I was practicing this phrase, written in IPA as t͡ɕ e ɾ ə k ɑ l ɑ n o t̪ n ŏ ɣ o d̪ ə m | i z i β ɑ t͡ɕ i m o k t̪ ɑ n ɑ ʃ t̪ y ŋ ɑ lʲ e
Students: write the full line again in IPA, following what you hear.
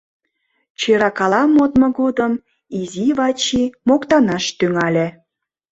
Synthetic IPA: t͡ɕ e ɾ ɑ k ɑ l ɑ m o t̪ m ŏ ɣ o d̪ ə m | i z i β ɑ t͡ɕ i m o k t̪ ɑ n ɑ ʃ t̪ y ŋ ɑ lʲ e